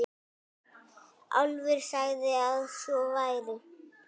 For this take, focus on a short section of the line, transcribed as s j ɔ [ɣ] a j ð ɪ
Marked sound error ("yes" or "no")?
yes